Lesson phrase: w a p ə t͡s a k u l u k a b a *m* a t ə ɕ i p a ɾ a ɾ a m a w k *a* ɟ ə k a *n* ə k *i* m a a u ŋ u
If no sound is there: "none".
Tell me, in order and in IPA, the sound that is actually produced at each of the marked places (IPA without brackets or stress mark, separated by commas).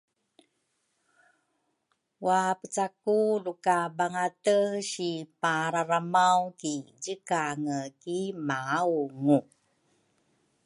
ŋ, i, ŋ, i